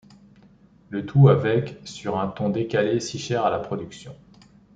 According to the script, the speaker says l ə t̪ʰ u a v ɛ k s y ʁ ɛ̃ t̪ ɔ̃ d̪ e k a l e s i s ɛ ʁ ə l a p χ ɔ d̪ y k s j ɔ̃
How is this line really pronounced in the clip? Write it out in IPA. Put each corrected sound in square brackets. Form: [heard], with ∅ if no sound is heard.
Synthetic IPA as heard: l ə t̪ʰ u a v ɛ k s y ʁ ɛ̃ t̪ ɔ̃ d̪ e k a l e s i [ʃ] ɛ ʁ [a] l a p χ ɔ d̪ y k s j ɔ̃